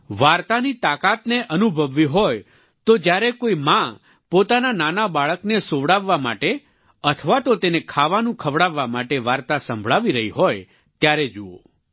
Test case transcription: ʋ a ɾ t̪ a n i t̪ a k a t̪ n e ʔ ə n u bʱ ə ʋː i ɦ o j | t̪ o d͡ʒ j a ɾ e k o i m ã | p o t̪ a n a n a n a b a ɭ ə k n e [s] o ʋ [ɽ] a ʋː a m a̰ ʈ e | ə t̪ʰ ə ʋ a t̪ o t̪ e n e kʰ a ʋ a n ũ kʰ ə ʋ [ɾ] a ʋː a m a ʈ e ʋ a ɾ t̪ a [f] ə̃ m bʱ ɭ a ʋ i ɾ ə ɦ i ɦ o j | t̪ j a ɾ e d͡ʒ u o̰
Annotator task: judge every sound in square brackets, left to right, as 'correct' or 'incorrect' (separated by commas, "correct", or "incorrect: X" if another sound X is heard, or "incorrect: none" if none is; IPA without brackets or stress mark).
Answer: correct, correct, incorrect: ɽ, incorrect: s